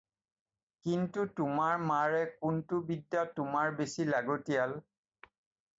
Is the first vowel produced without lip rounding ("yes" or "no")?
yes